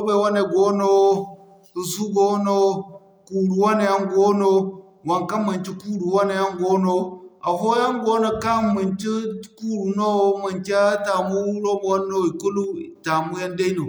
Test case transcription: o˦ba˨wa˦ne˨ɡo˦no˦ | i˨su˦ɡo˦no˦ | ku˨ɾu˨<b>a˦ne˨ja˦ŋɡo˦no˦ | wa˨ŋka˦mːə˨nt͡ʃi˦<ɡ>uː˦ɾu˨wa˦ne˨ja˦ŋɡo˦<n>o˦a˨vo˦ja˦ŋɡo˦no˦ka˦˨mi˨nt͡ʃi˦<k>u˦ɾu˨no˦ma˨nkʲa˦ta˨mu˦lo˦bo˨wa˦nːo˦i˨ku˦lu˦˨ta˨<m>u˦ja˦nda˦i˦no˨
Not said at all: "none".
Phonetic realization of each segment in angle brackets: w, k, n, k, m

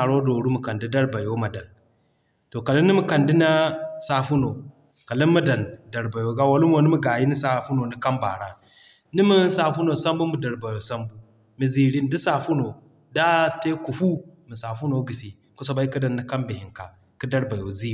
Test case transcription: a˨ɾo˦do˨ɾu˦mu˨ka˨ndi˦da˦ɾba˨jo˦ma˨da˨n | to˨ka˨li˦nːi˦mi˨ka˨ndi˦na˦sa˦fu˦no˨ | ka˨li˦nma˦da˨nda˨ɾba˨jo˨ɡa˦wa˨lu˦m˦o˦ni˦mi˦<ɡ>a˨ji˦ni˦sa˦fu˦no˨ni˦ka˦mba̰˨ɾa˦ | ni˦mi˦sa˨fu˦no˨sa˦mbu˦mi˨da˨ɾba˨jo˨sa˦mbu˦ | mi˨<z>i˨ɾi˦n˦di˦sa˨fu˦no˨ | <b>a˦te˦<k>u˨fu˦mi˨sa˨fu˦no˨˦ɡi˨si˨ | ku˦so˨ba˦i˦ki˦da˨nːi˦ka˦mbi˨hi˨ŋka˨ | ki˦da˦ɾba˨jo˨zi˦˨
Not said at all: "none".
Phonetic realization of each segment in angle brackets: ɡ, z, d, k

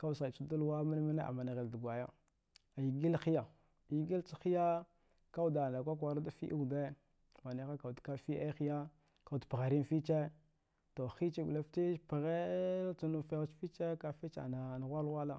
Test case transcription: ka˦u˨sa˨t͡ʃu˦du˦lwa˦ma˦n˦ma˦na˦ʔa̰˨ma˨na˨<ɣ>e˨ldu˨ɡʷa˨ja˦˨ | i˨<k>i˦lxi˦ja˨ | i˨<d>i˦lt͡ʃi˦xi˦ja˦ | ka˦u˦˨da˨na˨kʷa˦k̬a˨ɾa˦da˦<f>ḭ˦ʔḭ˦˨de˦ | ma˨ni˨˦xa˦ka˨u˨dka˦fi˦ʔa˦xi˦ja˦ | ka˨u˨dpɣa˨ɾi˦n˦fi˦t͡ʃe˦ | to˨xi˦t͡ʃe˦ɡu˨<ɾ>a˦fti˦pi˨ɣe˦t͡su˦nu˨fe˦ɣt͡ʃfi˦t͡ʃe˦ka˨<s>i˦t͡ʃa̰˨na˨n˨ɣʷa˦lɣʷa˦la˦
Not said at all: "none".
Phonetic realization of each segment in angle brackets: ɣ, ɡ, ɡ, f, l, f

